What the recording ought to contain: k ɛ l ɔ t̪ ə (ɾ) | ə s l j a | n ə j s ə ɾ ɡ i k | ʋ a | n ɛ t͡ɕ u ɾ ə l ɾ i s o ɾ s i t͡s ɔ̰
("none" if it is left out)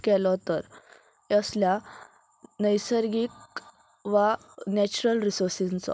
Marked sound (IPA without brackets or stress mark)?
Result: ɾ